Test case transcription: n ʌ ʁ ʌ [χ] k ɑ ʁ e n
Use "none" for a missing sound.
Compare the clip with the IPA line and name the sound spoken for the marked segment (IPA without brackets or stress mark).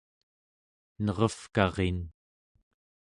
f